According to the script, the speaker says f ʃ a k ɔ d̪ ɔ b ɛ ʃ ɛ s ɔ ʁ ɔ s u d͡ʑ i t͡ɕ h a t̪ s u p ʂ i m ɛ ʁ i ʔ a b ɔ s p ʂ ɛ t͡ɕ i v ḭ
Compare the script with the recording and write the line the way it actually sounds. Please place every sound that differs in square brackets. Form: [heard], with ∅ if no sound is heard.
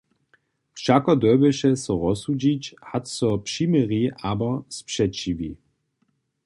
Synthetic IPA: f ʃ a k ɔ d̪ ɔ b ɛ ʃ ɛ s ɔ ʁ ɔ s u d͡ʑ i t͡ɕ h a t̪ s [ɔ] p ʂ i m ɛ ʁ i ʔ a b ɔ s p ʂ ɛ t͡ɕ i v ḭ